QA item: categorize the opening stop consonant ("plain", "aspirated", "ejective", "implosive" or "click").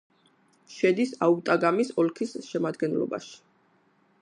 plain